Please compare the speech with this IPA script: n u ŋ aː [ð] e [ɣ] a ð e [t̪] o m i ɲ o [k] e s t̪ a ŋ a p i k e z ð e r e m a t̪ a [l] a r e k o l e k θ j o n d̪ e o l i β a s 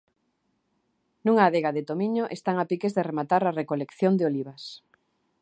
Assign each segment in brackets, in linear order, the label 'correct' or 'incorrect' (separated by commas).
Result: correct, correct, correct, incorrect, incorrect